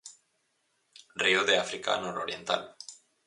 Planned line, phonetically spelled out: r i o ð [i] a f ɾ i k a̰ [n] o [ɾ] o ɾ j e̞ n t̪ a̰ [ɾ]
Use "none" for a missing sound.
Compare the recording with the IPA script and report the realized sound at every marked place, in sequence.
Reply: e, n, ɾ, l

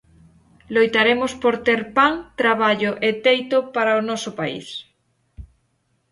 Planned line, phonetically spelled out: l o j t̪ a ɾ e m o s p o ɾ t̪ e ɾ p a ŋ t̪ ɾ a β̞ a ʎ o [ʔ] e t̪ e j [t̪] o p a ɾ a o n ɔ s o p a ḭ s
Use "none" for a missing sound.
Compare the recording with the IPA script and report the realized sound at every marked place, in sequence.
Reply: ʔ, t̪

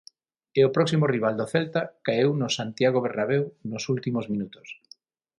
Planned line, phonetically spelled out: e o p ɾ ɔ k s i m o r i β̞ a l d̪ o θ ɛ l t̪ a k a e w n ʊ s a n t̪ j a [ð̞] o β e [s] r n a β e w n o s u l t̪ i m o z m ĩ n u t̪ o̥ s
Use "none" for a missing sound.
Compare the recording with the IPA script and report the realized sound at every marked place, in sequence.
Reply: ɣ̞, none

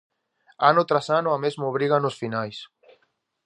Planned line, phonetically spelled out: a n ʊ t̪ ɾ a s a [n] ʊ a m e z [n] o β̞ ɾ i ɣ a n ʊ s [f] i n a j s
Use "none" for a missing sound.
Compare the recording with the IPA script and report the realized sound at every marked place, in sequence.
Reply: n, m, f

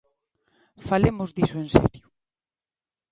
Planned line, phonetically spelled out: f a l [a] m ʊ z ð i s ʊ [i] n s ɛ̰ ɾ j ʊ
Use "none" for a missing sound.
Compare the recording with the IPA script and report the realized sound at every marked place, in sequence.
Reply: e, e

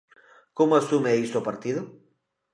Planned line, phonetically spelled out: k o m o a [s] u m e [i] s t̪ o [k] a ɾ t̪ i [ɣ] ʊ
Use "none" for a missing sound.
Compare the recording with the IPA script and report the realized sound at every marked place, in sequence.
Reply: s, i, p, ð

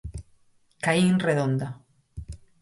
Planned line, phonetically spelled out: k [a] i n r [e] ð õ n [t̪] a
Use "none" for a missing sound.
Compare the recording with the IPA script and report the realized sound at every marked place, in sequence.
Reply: a, e, d̪

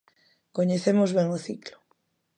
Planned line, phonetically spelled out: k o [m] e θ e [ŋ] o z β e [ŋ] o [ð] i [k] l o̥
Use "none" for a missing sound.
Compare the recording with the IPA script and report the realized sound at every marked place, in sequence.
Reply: ɲ, m, ŋ, θ, k

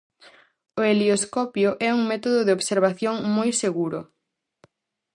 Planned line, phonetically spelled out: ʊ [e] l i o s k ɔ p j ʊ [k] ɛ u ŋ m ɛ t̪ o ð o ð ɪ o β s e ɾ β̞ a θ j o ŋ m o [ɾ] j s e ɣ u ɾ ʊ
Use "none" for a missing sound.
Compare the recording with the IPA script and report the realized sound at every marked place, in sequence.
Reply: e, ʔ, none

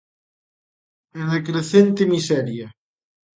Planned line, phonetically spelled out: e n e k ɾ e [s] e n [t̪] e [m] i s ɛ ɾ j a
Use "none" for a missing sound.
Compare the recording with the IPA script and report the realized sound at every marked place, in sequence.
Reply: θ, t̪, m

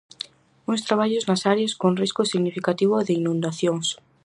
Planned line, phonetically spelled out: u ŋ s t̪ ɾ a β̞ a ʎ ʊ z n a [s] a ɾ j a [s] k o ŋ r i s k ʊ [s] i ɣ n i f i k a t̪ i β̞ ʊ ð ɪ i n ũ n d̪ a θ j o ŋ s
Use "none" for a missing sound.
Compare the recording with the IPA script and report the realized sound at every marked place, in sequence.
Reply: s, s, s

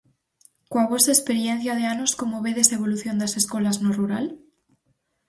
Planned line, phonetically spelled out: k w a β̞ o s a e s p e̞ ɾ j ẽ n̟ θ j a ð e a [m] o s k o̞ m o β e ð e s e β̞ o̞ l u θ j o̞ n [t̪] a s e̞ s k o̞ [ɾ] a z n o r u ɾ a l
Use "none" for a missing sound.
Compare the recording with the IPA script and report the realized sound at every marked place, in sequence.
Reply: n, d̪, l

